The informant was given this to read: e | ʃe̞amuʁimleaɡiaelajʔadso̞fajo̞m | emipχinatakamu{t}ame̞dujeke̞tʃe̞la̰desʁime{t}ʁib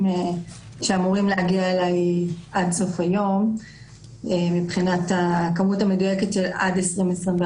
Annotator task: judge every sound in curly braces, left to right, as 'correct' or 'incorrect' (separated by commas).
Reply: correct, incorrect